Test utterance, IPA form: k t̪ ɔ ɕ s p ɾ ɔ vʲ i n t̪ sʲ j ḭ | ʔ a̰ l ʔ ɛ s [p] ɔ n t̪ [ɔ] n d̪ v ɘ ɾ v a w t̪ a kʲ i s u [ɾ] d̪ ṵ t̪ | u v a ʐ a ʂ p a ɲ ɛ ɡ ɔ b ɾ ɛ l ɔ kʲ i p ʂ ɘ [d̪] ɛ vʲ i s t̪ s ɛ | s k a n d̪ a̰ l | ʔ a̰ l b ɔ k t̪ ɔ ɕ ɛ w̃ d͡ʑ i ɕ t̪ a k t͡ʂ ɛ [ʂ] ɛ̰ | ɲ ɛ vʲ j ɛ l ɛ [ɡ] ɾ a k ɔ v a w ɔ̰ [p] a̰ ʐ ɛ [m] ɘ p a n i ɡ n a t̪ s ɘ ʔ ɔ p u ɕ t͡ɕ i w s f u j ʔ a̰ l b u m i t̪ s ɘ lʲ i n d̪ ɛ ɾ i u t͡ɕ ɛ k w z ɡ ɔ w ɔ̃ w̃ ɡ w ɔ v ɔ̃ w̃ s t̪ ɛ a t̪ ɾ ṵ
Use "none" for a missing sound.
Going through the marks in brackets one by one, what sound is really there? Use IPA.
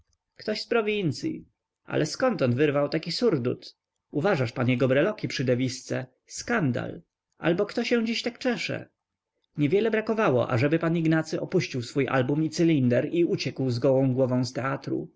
k, ɔ, ɾ, d̪, ʂ, b, ʔ, b

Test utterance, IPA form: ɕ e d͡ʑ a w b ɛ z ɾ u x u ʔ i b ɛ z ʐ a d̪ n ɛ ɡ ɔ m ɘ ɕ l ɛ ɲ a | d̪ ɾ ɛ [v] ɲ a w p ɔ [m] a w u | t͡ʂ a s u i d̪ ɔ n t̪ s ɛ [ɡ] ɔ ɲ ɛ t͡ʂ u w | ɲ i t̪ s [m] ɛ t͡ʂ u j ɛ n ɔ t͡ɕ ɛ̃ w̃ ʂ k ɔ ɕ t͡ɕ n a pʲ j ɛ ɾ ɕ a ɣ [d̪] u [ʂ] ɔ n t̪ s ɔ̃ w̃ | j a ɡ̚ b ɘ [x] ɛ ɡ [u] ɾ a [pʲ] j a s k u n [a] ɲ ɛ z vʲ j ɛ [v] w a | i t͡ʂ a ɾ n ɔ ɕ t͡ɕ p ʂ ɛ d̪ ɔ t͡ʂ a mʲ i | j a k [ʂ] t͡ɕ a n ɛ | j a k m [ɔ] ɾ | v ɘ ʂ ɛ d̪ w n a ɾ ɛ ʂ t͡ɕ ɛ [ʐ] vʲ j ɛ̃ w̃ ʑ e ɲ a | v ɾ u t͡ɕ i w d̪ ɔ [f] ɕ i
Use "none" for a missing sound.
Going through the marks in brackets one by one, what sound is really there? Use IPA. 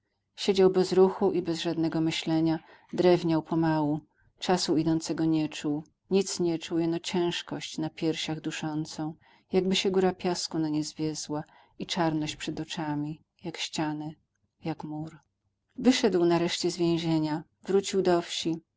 v, m, ɡ, ɲ, d̪, ʂ, ɕ, u, pʲ, a, z, ɕ, u, z, f

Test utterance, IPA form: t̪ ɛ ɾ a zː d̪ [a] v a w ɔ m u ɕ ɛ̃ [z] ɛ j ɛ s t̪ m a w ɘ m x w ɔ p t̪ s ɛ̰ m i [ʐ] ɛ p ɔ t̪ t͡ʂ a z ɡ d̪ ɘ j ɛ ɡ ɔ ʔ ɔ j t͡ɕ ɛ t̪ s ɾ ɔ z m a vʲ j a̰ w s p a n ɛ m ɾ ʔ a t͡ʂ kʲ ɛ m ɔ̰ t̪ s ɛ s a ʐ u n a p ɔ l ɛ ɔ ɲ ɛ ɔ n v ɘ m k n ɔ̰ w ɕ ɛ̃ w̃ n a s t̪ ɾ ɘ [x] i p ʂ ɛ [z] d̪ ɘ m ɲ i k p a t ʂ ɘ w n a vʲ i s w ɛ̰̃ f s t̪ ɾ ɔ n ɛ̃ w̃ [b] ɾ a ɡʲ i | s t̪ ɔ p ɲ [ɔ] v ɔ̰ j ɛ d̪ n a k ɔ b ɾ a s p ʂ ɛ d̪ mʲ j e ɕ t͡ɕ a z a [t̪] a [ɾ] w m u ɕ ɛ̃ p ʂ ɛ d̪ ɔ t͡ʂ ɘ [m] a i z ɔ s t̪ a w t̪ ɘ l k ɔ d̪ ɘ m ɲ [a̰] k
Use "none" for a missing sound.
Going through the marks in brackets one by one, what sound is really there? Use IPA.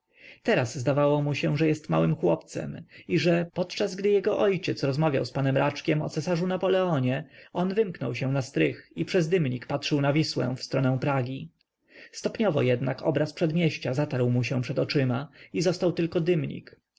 a, ʐ, ʐ, x, z, p, ɔ, t̪, ɾ, m, ḭ

